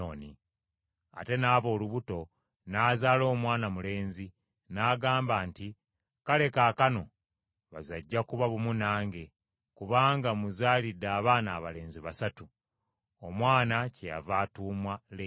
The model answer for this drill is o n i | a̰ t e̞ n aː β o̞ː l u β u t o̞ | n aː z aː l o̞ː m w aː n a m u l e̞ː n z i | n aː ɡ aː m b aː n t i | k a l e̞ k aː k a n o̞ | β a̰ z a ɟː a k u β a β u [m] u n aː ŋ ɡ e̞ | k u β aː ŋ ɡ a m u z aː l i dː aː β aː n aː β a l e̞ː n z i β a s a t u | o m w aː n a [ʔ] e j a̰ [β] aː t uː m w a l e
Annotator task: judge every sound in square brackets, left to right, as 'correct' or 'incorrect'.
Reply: correct, incorrect: c, incorrect: v

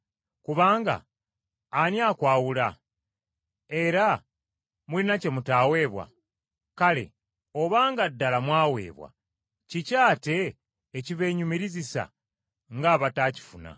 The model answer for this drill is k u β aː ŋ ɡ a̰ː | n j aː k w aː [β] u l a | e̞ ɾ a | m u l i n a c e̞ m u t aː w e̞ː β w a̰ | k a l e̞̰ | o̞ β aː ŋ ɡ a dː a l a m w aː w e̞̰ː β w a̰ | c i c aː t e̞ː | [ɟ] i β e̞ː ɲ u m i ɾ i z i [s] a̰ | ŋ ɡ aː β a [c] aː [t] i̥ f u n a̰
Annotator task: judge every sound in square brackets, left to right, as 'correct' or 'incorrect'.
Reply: incorrect: w, incorrect: c, correct, incorrect: t, incorrect: c

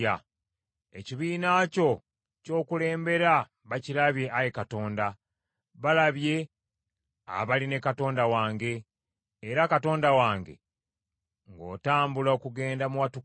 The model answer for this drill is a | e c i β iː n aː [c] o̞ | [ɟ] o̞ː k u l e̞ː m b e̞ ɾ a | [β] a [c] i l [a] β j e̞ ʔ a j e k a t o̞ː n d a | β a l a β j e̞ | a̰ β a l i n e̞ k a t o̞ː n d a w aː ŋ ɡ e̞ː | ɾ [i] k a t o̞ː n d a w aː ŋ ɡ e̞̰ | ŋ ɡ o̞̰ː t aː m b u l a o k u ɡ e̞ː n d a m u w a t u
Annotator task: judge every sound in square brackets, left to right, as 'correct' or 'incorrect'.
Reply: correct, incorrect: c, correct, correct, correct, incorrect: a

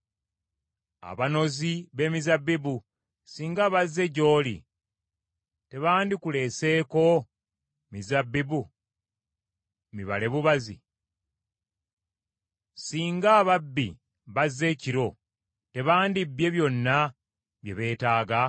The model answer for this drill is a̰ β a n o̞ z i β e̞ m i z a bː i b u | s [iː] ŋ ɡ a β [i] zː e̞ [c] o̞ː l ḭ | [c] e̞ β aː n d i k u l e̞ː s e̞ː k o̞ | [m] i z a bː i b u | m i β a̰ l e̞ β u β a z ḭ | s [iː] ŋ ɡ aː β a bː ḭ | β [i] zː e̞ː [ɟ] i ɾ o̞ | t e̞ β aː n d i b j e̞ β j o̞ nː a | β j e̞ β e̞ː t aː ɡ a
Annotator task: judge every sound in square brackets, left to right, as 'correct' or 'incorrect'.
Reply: correct, incorrect: a, incorrect: ɟ, incorrect: t, correct, correct, incorrect: a, incorrect: c

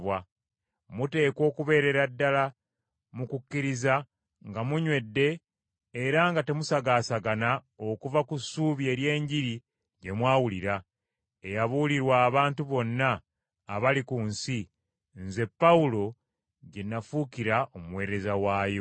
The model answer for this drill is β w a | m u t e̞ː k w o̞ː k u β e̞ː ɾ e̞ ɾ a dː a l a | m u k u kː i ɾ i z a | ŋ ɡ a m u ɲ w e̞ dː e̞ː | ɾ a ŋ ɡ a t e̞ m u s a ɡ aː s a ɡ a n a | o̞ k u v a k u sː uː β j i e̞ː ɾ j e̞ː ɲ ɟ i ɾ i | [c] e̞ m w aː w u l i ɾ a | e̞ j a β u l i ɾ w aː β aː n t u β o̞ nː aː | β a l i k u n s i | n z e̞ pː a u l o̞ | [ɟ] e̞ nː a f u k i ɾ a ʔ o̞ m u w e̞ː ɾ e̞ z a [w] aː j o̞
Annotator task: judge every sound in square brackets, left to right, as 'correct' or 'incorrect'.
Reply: incorrect: ɟ, correct, correct

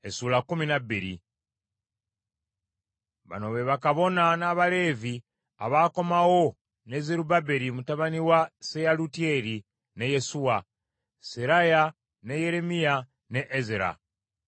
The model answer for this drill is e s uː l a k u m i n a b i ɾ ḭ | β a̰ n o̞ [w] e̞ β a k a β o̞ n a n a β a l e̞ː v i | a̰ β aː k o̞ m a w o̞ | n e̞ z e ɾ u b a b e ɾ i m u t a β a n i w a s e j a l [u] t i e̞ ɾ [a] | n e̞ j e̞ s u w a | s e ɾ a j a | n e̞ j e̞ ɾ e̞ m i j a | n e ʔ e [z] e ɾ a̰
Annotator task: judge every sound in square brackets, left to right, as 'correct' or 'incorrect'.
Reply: incorrect: β, correct, incorrect: i, correct

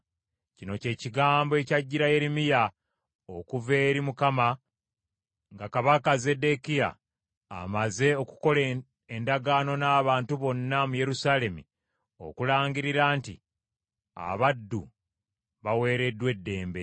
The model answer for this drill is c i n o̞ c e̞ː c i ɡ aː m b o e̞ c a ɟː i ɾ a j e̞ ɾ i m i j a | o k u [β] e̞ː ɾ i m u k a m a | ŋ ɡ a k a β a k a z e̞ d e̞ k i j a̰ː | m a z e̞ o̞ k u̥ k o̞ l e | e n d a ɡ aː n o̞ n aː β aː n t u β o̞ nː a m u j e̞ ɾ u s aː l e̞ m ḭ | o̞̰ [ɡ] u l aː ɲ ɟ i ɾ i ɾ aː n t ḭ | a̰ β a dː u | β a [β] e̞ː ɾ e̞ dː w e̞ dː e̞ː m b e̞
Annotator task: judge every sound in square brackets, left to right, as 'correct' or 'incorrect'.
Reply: incorrect: v, incorrect: k, incorrect: w

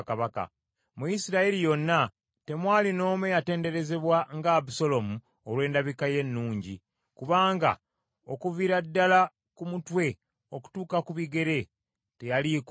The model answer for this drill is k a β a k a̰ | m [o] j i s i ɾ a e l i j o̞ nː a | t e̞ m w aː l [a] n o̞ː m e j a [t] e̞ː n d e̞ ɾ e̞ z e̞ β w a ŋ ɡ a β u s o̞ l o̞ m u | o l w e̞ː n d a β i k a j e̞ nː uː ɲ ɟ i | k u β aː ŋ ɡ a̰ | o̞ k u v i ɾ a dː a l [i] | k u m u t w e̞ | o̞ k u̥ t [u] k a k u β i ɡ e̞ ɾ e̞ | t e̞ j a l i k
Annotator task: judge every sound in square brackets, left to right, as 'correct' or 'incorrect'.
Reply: incorrect: u, incorrect: i, correct, incorrect: a, incorrect: uː

